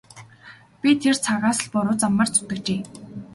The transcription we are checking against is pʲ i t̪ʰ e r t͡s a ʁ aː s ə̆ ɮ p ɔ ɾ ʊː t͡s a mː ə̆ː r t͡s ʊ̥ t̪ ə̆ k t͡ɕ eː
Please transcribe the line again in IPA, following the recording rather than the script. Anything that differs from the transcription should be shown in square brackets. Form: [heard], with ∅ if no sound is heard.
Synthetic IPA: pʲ i t̪ʰ e r [t͡sʰ] a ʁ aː s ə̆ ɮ p ɔ ɾ ʊː t͡s a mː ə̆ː r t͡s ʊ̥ t̪ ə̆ k t͡ɕ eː